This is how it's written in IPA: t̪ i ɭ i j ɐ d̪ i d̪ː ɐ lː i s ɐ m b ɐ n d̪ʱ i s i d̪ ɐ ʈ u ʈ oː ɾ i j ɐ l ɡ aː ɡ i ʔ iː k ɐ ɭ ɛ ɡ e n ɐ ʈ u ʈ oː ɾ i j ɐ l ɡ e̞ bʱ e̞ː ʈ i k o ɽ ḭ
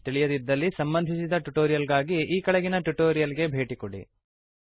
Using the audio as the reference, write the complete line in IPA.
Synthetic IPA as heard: t̪ i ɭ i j ɐ d̪ i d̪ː ɐ lː i s ɐ m b ɐ n d̪ʱ i s i d̪ ɐ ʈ u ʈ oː ɾ i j ɐ l ɡ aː ɡ i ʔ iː k ɐ ɭ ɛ ɡ i n ɐ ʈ u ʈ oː ɾ i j ɐ l ɡ e̞ bʱ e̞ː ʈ i k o ɽ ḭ